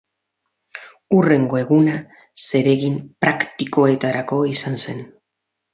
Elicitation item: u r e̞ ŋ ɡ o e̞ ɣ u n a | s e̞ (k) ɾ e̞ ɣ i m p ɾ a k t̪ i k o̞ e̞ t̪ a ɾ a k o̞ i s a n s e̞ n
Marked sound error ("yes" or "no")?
yes